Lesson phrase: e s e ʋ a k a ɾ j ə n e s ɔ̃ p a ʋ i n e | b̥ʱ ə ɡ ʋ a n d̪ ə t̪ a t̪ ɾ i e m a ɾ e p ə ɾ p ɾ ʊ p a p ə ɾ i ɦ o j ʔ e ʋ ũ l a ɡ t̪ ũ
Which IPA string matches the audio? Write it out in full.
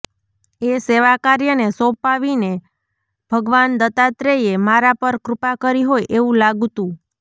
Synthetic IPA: e s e ʋ a k a ɾ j ə n e s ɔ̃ p a ʋ i n e | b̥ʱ ə ɡ ʋ a n d̪ ə t̪ a t̪ ɾ e e m a ɾ a p ə ɾ k ɾ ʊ p a k ə ɾ i ɦ o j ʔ e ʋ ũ l a ɡ t̪ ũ